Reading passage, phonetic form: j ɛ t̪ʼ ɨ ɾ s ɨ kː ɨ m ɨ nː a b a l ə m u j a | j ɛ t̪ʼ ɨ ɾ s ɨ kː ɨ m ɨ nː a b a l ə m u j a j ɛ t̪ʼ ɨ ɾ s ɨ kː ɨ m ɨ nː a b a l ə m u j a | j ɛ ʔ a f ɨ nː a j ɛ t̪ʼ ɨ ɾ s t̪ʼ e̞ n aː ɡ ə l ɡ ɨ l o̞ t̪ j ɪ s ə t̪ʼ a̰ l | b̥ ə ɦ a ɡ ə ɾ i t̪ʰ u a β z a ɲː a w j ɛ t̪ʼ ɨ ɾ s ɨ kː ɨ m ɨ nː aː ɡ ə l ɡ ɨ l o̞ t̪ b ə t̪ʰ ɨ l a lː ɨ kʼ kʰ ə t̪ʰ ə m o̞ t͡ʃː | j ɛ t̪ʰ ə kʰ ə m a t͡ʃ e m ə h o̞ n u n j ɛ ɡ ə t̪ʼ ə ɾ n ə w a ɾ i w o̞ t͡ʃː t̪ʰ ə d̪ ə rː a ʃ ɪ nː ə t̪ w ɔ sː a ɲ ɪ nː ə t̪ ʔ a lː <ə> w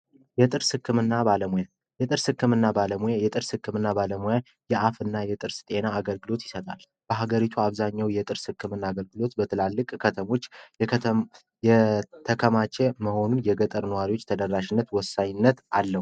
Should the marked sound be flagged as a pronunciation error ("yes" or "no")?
no